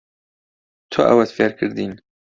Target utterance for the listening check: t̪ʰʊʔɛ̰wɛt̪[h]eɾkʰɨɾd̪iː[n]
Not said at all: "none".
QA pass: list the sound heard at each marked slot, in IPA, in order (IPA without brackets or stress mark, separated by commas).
f, n